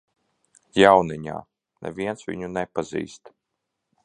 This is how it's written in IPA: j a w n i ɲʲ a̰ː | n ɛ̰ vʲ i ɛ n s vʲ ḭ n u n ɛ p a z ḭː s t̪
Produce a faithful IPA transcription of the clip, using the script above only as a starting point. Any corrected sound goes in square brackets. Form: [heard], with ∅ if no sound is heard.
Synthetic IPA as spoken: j a w n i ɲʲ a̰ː | n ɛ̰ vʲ i ɛ n s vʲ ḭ [ɲ] u n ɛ p a z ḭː s t̪